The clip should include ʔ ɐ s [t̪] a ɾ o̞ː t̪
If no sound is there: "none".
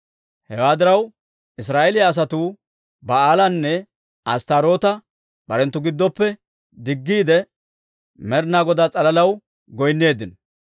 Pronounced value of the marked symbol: t̪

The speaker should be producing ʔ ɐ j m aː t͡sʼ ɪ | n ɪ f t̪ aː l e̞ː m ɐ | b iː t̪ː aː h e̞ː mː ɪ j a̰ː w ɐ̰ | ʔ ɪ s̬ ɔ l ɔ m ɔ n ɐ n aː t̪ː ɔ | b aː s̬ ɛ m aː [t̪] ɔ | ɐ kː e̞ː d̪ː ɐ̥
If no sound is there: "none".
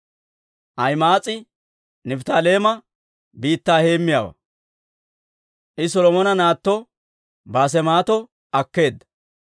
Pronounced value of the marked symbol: t̪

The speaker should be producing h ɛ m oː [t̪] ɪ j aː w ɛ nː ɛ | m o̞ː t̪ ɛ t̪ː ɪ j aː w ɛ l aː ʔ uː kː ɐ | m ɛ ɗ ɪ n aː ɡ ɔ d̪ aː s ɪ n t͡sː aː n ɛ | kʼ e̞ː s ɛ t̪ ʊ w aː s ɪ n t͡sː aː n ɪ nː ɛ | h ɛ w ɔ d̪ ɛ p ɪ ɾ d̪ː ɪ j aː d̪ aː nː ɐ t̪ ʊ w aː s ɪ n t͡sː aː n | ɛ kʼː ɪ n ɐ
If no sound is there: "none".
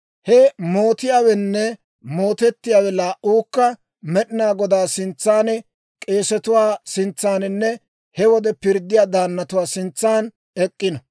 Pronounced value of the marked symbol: t̪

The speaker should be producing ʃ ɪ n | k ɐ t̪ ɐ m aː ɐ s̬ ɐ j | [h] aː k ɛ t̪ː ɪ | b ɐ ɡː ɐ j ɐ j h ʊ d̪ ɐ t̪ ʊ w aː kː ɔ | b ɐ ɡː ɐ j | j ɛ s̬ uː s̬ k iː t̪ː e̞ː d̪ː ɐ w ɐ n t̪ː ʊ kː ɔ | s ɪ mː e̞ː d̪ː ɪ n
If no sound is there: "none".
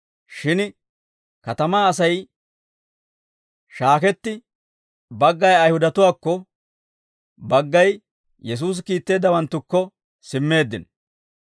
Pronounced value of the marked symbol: ʃ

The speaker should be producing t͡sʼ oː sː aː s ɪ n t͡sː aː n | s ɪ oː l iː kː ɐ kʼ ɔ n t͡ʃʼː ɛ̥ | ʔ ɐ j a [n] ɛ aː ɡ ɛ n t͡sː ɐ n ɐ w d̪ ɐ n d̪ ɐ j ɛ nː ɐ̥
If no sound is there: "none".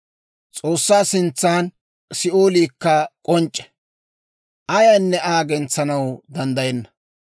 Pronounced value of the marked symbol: nː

